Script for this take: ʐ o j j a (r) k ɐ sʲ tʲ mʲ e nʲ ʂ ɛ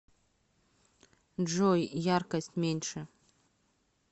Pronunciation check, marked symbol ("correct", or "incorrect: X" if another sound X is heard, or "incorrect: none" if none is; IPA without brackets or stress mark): correct